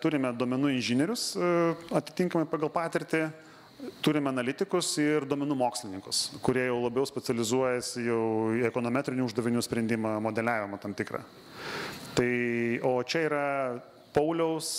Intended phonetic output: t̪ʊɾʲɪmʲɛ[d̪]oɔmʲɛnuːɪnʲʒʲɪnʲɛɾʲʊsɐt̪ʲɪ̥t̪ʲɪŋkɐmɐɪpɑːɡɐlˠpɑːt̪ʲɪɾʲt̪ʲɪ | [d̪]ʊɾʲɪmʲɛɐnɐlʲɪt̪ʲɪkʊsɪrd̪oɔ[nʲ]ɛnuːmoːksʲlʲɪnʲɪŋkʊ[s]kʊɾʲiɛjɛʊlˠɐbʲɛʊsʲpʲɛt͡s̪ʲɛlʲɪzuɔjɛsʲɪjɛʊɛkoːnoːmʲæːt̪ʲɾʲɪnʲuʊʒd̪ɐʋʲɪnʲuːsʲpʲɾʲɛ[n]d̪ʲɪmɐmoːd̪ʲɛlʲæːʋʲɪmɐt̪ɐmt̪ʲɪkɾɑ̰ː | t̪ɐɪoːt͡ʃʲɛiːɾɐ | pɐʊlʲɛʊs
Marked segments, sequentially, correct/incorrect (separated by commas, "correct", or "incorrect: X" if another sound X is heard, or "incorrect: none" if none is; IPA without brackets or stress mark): correct, incorrect: t̪, incorrect: mʲ, correct, correct